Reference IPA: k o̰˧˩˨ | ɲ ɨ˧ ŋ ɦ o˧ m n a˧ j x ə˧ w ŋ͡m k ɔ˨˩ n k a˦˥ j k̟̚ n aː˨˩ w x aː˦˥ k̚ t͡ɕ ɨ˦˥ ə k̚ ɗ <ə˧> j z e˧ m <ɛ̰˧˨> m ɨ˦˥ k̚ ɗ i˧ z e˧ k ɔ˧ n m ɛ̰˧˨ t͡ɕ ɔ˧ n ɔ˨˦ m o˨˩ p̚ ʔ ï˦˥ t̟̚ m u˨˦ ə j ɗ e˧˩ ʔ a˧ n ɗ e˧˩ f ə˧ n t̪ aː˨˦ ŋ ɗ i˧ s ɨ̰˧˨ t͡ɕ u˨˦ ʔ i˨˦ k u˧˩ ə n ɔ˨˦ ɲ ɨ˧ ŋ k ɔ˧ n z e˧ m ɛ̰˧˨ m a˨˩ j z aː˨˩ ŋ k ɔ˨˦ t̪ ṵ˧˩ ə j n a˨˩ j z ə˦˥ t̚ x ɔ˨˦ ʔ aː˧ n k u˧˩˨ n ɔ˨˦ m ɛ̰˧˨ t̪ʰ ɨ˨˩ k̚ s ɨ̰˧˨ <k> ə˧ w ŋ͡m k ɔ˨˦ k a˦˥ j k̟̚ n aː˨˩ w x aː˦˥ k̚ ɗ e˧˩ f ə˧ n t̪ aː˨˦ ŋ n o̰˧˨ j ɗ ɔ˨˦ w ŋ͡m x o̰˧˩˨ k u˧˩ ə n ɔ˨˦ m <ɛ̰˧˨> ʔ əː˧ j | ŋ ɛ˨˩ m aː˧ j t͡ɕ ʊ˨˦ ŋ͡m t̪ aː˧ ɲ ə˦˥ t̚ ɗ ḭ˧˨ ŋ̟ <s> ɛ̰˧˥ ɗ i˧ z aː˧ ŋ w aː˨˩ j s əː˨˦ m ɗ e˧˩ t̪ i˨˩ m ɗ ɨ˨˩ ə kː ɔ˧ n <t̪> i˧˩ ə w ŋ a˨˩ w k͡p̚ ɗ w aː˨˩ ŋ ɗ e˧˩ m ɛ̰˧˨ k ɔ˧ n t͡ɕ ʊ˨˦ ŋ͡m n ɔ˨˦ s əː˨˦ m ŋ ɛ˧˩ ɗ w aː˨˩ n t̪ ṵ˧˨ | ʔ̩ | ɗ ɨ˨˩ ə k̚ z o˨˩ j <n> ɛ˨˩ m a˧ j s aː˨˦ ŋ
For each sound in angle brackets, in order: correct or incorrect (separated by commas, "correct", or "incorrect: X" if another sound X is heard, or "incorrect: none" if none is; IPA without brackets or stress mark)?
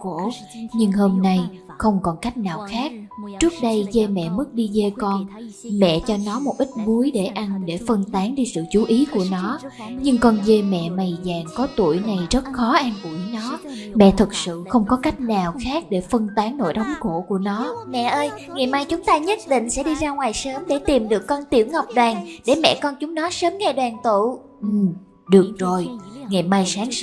correct, correct, incorrect: x, correct, correct, correct, incorrect: ŋ